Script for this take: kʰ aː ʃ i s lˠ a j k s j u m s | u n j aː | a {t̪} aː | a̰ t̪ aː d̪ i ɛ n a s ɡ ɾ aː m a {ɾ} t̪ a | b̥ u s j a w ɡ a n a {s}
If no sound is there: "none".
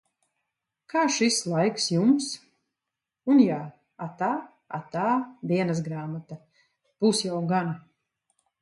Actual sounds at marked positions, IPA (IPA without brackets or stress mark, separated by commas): t̪, none, none